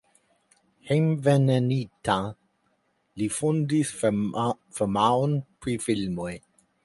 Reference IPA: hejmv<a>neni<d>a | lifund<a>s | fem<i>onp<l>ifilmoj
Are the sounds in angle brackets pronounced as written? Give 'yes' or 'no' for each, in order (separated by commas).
no, no, no, no, no